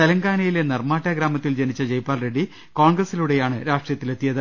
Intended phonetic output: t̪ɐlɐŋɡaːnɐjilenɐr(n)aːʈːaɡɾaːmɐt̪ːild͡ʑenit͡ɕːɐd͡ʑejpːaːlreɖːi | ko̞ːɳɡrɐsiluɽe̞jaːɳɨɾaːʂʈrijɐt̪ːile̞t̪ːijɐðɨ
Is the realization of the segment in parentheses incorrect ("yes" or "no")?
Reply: yes